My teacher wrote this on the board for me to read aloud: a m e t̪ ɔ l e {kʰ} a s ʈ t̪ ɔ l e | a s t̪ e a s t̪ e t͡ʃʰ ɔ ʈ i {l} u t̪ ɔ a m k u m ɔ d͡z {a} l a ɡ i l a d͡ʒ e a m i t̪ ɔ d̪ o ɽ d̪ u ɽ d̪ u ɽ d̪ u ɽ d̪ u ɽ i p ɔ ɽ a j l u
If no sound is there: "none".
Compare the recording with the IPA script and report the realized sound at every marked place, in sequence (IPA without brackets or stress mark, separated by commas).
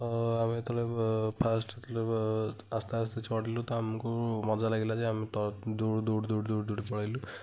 pʰ, l, a